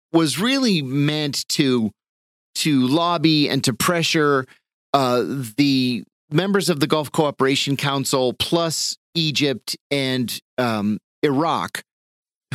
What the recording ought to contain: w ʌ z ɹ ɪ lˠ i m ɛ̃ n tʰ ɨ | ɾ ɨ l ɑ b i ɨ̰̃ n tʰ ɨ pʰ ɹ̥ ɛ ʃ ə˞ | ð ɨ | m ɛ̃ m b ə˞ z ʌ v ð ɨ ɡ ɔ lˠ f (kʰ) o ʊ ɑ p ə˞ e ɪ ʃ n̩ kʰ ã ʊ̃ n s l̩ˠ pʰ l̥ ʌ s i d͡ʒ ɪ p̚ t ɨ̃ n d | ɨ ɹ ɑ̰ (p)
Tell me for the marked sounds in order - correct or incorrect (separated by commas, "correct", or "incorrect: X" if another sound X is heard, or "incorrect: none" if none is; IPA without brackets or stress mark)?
correct, incorrect: k